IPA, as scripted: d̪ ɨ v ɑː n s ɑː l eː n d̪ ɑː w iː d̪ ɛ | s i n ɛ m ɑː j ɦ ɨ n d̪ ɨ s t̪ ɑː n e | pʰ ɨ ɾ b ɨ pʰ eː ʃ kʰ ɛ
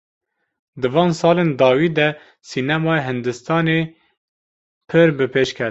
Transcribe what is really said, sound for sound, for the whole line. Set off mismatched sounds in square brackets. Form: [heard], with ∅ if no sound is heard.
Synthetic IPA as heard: d̪ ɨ v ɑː n s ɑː l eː n d̪ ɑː w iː d̪ ɛ | s i n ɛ m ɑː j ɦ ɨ n d̪ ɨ s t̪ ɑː n e | pʰ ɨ ɾ b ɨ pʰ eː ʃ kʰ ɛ